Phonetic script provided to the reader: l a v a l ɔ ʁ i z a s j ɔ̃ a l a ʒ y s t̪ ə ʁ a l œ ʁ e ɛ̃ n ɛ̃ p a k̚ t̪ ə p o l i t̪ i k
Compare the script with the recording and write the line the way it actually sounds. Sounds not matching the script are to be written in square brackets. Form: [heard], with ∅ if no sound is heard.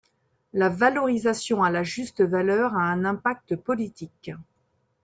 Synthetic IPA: l a v a l ɔ ʁ i z a s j ɔ̃ a l a ʒ y s t̪ ə [v] a l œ ʁ [a] ɛ̃ n ɛ̃ p a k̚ t̪ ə p [ɔ] l i t̪ i k

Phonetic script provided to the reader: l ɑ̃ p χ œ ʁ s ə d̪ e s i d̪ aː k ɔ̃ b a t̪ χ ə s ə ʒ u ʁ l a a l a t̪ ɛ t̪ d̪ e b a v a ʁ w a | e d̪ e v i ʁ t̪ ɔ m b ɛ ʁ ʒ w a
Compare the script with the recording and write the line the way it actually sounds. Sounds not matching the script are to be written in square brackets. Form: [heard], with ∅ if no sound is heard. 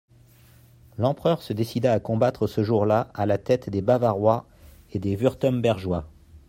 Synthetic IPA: l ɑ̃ p χ œ ʁ s ə d̪ e s i d̪ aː k ɔ̃ b a t̪ χ ə s ə ʒ u ʁ l a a l a t̪ ɛ t̪ d̪ e b a v a ʁ w a | e d̪ e v [y] ʁ t̪ ɔ m b ɛ ʁ ʒ w a

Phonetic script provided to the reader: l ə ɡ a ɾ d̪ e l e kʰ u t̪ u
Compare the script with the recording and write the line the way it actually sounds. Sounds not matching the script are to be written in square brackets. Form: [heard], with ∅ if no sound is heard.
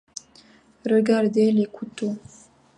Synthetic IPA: [ɾ] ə ɡ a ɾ d̪ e l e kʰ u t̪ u

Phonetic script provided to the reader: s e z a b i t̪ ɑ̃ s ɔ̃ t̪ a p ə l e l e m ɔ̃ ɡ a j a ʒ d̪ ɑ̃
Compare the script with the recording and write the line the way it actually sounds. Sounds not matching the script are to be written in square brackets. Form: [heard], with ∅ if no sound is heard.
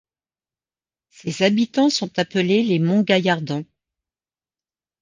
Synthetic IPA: s e z a b i t̪ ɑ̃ s ɔ̃ t̪ a p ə l e l e m ɔ̃ ɡ a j a [ʁ] d̪ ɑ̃

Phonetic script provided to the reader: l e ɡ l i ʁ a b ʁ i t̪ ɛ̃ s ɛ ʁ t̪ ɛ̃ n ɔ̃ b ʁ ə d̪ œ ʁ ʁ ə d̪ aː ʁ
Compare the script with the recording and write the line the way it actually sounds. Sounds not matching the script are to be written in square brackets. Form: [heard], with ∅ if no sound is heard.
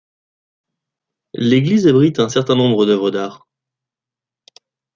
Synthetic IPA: l e ɡ l i [z] a b ʁ i t̪ ɛ̃ s ɛ ʁ t̪ ɛ̃ n ɔ̃ b ʁ ə d̪ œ [v] ʁ ə d̪ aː ʁ

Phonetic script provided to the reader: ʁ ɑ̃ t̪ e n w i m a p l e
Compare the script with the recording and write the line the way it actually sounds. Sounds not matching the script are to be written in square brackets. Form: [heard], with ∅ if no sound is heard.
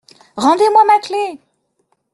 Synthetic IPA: ʁ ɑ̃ [d̪] e [m] w [a] m a [k] l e

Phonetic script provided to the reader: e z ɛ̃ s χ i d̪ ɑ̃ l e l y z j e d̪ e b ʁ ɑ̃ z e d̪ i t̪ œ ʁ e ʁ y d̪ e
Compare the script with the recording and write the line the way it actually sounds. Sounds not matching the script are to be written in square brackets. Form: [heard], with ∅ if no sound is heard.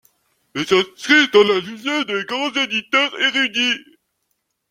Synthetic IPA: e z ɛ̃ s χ i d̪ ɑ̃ l [a] l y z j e d̪ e [ɡ] ʁ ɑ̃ z e d̪ i t̪ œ ʁ e ʁ y d̪ [i]

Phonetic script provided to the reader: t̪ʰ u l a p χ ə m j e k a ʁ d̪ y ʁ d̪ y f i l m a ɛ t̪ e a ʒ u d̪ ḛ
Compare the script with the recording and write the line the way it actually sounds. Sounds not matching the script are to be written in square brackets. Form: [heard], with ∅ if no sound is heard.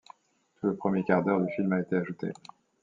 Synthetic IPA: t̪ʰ u l [ə] p χ ə m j e k a ʁ d̪ [œ] ʁ d̪ y f i l m a [e] t̪ e a ʒ u [t̪] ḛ

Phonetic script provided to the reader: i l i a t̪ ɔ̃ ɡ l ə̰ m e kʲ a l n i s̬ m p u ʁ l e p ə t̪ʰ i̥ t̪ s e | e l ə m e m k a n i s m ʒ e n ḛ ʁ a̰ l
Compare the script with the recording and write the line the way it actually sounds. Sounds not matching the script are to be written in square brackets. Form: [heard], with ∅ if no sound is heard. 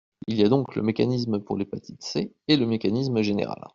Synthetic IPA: i l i a [d̪] ɔ̃ [k] l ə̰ m e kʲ a [∅] n i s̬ m p u ʁ l e p [a] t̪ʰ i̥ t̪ s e | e l ə m e [∅] k a n i s m ʒ e n ḛ ʁ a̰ l

